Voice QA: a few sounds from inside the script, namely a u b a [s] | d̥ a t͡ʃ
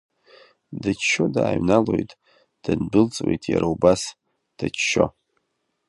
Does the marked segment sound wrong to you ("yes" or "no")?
no